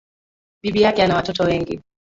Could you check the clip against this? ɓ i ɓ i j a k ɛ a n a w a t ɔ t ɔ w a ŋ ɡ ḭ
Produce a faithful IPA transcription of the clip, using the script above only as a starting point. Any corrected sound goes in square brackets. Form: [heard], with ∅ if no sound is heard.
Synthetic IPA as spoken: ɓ i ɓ i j a k ɛ a n a w a t ɔ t ɔ w [ɛ] ŋ ɡ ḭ